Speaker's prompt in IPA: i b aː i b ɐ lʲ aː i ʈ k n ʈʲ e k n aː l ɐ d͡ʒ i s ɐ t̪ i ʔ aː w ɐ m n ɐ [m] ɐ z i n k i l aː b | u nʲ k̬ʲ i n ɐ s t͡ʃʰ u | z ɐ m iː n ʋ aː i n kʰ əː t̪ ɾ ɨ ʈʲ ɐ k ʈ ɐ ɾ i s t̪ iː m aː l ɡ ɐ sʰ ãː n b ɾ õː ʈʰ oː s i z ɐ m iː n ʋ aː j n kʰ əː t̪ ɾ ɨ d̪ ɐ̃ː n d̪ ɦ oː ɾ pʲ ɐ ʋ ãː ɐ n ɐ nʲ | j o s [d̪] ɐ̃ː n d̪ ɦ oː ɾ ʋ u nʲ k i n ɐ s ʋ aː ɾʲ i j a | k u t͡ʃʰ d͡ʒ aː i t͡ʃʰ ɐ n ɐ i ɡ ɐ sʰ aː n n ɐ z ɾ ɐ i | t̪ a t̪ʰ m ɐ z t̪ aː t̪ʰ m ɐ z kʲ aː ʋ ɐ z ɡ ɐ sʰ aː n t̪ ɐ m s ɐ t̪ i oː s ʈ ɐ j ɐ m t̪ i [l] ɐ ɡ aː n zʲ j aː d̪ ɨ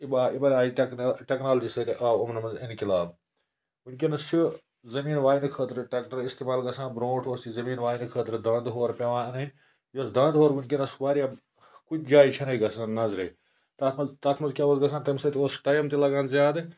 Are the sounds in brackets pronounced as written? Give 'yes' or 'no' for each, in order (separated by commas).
yes, yes, yes